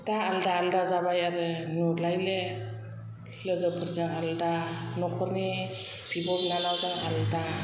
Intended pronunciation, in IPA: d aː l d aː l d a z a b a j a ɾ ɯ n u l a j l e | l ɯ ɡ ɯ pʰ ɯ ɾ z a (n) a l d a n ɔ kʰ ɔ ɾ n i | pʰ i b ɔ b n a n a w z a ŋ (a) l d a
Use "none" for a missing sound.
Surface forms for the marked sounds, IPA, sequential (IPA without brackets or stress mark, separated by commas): ŋ, a